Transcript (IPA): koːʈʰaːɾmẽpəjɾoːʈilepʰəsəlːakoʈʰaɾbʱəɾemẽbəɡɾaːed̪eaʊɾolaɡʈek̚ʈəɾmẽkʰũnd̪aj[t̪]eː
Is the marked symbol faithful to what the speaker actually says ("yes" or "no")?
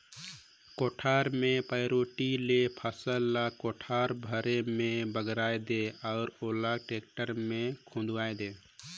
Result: no